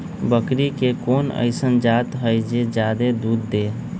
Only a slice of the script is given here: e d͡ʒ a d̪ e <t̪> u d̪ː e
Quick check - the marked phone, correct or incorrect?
incorrect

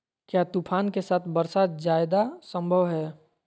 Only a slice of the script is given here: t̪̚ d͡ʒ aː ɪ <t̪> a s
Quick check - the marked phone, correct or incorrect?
incorrect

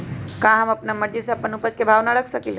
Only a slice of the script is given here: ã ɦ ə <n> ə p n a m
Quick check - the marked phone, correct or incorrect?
incorrect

